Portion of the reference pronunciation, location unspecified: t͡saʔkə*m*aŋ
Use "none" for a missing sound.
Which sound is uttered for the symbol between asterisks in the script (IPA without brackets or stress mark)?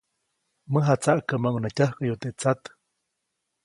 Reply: m